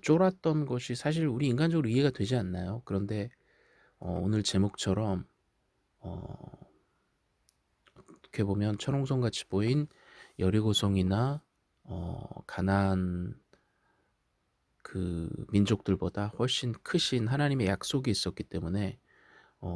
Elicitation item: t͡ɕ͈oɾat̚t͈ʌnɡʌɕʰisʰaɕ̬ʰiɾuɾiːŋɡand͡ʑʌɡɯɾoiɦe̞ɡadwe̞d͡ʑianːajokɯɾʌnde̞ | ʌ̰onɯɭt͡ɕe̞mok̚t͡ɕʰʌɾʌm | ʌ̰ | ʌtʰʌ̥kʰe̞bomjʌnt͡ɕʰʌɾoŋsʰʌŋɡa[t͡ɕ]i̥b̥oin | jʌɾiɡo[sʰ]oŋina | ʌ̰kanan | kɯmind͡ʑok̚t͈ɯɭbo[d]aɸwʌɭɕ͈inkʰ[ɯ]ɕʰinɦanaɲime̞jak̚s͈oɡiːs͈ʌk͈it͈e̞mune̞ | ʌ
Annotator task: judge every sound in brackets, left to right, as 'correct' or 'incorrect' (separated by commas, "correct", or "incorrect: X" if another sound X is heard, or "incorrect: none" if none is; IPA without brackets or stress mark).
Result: incorrect: t͡ɕʰ, correct, correct, correct